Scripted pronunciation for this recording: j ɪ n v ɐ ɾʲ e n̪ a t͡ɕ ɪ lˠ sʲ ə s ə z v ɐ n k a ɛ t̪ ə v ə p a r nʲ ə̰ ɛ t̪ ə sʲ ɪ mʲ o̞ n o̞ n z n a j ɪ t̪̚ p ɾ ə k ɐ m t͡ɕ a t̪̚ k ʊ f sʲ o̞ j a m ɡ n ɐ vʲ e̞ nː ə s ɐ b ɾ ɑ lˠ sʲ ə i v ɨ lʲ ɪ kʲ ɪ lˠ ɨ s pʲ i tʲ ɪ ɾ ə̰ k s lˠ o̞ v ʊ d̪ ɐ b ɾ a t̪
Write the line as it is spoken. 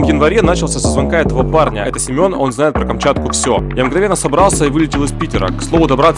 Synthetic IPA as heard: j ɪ n v ɐ ɾʲ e n̪ a t͡ɕ ɪ lˠ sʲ ə s ə z v ɐ n k a ɛ t̪ ə v ə p a r nʲ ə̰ ɛ t̪ ə sʲ ɪ mʲ o̞ n o̞ n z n a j ɪ t̪̚ p ɾ ə k ɐ m t͡ɕ a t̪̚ k ʊ f sʲ o̞ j a m ɡ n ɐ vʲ e̞ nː ə s ɐ b ɾ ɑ lˠ sʲ ə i v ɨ lʲ ɪ tʲ ɪ lˠ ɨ s pʲ i tʲ ɪ ɾ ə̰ k s lˠ o̞ v ʊ d̪ ɐ b ɾ a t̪